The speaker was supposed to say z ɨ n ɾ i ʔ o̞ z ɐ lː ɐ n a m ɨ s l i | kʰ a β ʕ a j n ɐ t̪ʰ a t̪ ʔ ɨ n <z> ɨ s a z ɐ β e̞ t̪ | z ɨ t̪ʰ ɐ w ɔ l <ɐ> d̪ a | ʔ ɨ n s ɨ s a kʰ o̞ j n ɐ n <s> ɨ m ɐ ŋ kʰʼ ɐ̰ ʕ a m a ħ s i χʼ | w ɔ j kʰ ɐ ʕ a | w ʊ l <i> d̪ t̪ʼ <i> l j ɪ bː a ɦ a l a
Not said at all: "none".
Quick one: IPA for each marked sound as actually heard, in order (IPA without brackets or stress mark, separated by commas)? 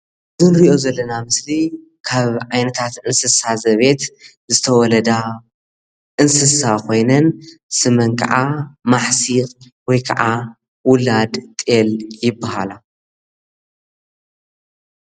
s, ɐ, s, a, e